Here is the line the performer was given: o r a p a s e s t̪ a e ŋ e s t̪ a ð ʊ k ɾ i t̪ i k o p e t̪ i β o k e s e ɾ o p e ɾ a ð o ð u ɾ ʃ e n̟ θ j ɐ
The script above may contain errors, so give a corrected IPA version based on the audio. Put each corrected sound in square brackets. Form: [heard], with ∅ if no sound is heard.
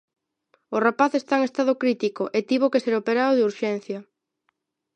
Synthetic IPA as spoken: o r a p a [θ] e s t̪ a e ŋ e s t̪ a ð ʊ k ɾ i t̪ i k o [ʔ] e t̪ i β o k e s e ɾ o p e ɾ a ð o ð u ɾ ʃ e n̟ θ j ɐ